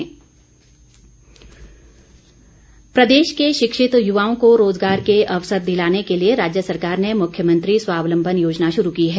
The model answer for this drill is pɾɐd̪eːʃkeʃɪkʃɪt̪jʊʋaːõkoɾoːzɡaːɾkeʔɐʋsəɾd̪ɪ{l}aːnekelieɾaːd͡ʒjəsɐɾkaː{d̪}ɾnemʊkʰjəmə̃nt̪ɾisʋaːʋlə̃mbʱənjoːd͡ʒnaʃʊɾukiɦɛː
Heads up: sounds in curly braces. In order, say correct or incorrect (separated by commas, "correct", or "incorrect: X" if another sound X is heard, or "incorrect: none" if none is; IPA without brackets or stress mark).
correct, incorrect: none